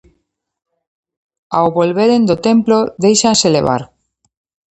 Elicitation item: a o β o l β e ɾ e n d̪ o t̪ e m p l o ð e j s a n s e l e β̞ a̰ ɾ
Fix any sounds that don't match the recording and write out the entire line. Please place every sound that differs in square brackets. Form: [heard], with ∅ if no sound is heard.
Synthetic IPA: a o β o l β e ɾ e n d̪ o t̪ e m p l o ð e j [ʃ] a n s e l e β̞ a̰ ɾ